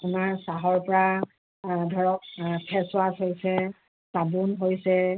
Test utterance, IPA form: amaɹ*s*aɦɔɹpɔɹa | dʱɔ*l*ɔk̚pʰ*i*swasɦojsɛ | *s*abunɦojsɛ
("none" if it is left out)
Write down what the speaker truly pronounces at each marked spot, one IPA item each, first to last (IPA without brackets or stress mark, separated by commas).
s, ɹ, ɛ, s